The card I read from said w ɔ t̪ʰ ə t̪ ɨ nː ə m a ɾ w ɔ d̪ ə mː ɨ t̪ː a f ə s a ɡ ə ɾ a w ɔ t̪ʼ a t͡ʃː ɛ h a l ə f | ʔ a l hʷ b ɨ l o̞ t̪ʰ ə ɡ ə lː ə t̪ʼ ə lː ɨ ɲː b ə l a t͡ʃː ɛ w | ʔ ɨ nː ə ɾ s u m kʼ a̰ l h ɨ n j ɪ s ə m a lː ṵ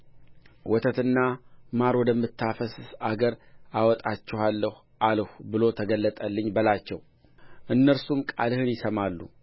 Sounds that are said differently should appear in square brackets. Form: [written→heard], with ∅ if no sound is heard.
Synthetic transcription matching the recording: w ɔ t̪ʰ ə t̪ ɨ nː [ə→a] m a ɾ w ɔ d̪ ə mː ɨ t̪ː a f ə s a ɡ ə ɾ a w ɔ t̪ʼ a t͡ʃː ɛ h a [l→lː] ə [f→h] | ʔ a l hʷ b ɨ l o̞ t̪ʰ ə ɡ ə lː ə t̪ʼ ə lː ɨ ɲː b ə l a t͡ʃː ɛ w | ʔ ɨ nː ə ɾ s u m kʼ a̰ l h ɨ n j ɪ s ə m a lː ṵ

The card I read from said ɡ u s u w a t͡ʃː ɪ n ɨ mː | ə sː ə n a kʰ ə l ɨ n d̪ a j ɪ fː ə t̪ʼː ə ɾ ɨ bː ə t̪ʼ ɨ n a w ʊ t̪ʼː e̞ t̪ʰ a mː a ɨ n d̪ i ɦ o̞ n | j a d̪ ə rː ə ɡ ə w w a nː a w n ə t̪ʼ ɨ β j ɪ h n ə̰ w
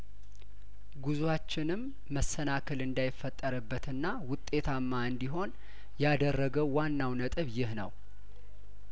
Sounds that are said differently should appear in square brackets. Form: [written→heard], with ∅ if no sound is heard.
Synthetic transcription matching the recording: ɡ u [s→z] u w a t͡ʃː ɪ n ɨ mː | ə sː ə n a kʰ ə l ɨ n d̪ a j ɪ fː ə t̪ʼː ə ɾ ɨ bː ə [t̪ʼ→t̪] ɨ [n→nː] a w ʊ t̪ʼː e̞ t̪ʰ a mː a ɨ n d̪ i ɦ o̞ n | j a d̪ ə rː ə ɡ ə w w a nː a w n ə t̪ʼ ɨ β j ɪ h n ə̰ w

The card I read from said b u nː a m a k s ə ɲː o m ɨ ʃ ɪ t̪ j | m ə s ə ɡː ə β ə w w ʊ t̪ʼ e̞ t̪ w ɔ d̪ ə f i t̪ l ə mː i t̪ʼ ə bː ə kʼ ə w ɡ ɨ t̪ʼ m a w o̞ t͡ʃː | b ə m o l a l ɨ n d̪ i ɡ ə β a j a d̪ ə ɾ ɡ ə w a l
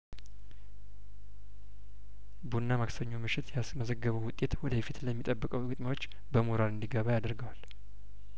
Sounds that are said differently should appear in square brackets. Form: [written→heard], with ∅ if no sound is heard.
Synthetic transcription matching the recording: b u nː a m a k s ə ɲː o m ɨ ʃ ɪ t̪ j | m ə [s→z] ə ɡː ə β ə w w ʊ t̪ʼ e̞ t̪ w ɔ d̪ ə f i t̪ l ə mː i t̪ʼ ə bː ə kʼ ə w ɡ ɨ t̪ʼ m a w o̞ t͡ʃː | b ə m o [l→ɾ] a l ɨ n d̪ i ɡ ə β a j a d̪ ə ɾ ɡ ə w a l

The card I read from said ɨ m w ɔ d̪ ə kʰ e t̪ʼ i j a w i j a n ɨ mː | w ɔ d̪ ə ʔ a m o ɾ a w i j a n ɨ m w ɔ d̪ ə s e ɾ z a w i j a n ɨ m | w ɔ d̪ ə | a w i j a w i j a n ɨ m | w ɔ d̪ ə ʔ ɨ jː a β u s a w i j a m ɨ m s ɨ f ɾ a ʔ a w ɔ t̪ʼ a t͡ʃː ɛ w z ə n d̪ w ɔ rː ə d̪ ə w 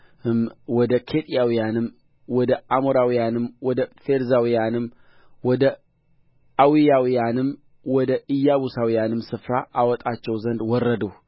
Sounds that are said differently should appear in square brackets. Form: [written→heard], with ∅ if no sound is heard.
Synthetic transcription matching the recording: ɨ m w ɔ d̪ ə kʰ e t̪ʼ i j a w i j a n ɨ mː | w ɔ d̪ ə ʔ a m o ɾ a w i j a n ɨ m w ɔ d̪ ə [s→f] e ɾ z a w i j a n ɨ m | w ɔ d̪ ə | a w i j a w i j a n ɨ m | w ɔ d̪ ə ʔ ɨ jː a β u s a w i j a [m→n] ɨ m s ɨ f ɾ a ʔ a w ɔ t̪ʼ a t͡ʃː ɛ w z ə n d̪ w ɔ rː ə d̪ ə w

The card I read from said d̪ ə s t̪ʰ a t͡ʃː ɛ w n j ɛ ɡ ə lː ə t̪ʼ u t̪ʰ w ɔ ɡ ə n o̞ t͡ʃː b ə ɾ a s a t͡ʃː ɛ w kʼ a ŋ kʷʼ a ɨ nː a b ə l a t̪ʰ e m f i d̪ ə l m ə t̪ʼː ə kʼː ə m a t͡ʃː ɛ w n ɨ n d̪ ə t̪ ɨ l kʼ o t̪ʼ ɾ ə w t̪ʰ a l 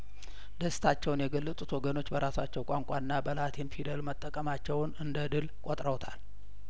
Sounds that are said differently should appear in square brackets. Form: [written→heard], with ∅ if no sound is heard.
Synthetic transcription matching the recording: d̪ ə s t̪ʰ a t͡ʃː ɛ w n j ɛ ɡ ə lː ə t̪ʼ u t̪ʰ w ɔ ɡ ə n o̞ t͡ʃː b ə ɾ a s a t͡ʃː ɛ w kʼ a ŋ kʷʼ a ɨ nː a b ə l a t̪ʰ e [m→n] f i d̪ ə l m ə t̪ʼː ə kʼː ə m a t͡ʃː ɛ w n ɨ n d̪ ə [t̪→d̪] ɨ l kʼ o t̪ʼ ɾ ə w t̪ʰ a l

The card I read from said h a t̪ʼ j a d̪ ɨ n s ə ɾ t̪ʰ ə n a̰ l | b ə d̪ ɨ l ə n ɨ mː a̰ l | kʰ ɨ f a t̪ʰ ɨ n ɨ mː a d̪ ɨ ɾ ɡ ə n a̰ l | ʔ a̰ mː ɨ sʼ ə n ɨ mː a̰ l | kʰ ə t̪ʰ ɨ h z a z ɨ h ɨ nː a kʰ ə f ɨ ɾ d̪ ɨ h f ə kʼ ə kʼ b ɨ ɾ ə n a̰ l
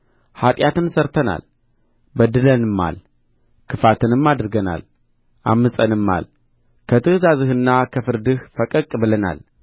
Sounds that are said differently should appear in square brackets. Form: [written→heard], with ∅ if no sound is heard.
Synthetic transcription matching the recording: h a t̪ʼ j a [d̪→t̪] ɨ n s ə ɾ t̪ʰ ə n a̰ l | b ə d̪ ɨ l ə n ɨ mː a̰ l | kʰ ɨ f a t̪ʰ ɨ n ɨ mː a d̪ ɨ ɾ ɡ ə n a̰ l | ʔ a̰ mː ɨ sʼ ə n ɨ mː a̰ l | kʰ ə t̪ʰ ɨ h z a z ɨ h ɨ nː a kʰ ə f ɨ ɾ d̪ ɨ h f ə kʼ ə kʼ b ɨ [ɾ→l] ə n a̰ l

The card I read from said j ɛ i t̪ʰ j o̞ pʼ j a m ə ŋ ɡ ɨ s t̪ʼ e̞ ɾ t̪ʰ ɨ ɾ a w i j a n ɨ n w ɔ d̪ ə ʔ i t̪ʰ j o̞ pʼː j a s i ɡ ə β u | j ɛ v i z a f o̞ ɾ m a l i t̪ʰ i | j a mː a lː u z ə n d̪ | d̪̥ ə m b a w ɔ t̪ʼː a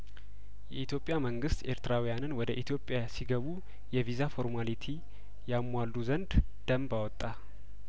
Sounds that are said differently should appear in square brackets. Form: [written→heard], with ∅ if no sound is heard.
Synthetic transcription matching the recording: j ɛ i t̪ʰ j o̞ pʼ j a m ə ŋ ɡ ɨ s [t̪ʼ→t̪] e̞ ɾ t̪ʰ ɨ ɾ a w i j a n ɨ n w ɔ d̪ ə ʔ i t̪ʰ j o̞ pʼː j a s i ɡ ə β u | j ɛ v i z a f o̞ ɾ m a l i t̪ʰ i | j a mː a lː u z ə n d̪ | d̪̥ ə m b a w ɔ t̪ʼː a

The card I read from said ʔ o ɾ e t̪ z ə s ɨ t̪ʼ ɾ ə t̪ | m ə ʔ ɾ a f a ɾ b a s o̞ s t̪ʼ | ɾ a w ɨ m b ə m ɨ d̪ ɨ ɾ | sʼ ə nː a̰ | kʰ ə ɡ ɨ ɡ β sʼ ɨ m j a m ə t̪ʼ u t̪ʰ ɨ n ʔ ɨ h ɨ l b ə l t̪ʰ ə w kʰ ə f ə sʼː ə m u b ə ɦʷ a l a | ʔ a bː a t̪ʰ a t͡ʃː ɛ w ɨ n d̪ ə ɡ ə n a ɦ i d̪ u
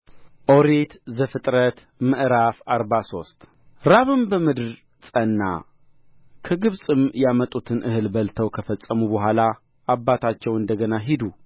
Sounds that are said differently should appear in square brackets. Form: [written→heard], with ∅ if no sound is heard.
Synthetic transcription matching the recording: ʔ o ɾ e t̪ z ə [s→f] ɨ t̪ʼ ɾ ə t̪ | m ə ʔ ɾ a f a ɾ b a s o̞ s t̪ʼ | ɾ a [w→β] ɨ m b ə m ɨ d̪ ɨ ɾ | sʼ ə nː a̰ | kʰ ə ɡ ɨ [ɡ→∅] β sʼ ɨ m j a m ə t̪ʼ u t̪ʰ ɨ n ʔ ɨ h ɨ l b ə l t̪ʰ ə w kʰ ə f ə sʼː ə m u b ə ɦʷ a l a | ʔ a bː a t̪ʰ a t͡ʃː ɛ w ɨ n d̪ ə ɡ ə n a ɦ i d̪ u

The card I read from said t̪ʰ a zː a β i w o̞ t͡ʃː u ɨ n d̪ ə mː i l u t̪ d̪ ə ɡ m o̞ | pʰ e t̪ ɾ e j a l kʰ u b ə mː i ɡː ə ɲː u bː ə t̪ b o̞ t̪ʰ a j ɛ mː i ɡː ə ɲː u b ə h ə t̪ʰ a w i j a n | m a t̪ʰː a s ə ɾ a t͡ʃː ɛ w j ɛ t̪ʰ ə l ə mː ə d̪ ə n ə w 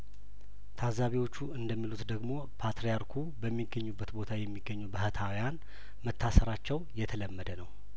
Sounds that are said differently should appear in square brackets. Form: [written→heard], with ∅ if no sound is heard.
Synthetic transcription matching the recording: t̪ʰ a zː a β i w o̞ t͡ʃː u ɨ n d̪ ə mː i l u t̪ d̪ ə ɡ m o̞ | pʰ [e→a] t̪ ɾ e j a [l→ɾ] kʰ u b ə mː i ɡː ə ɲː u bː ə t̪ b o̞ t̪ʰ a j ɛ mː i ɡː ə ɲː u b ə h ə t̪ʰ a w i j a n | m [a→ə] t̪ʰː a s ə ɾ a t͡ʃː ɛ w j ɛ t̪ʰ ə l ə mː ə d̪ ə n ə w

